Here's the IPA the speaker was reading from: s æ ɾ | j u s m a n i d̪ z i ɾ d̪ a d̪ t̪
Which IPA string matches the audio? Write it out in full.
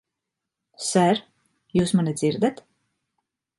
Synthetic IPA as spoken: s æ ɾ | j uː s m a n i d̪ z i ɾ d̪ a t̪